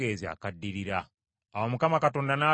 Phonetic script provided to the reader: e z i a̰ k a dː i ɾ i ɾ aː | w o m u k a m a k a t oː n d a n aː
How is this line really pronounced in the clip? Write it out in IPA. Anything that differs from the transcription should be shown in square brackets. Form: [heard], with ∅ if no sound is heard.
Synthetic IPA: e z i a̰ k a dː i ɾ i ɾ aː | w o m u k a m a k a t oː n d a n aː